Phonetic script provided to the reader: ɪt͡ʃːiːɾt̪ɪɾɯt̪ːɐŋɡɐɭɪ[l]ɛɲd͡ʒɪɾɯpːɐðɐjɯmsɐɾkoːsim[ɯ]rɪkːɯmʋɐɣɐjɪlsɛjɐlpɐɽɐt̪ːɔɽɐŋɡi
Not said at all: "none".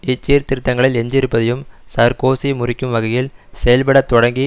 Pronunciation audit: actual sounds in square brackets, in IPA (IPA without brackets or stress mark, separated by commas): l, ʊ